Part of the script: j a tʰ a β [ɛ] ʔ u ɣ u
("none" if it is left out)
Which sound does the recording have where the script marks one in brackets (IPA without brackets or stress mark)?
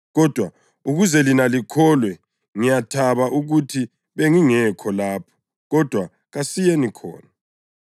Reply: a